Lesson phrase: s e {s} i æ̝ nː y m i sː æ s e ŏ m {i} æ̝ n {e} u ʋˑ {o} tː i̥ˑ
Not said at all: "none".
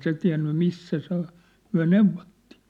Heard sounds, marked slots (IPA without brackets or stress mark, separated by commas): t, y, e, o